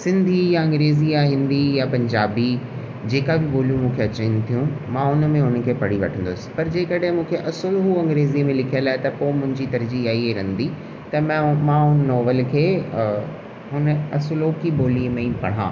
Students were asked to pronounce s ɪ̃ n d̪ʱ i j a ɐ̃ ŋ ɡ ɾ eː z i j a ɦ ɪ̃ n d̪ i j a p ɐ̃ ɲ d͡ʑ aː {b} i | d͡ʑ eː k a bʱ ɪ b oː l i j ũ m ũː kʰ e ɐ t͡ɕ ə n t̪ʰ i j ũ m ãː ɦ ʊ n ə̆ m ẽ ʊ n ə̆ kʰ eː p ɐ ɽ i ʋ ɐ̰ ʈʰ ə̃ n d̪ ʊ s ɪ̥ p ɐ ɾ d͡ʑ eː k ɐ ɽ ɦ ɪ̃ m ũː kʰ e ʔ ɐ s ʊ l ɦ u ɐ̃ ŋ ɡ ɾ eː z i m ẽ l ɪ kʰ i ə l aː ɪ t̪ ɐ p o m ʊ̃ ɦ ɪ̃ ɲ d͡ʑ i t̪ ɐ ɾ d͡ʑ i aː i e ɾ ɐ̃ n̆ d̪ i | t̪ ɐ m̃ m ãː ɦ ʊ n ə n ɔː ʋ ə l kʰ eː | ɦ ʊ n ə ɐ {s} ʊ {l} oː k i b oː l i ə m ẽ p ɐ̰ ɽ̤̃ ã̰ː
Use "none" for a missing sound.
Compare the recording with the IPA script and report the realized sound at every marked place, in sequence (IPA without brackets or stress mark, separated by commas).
b, s, l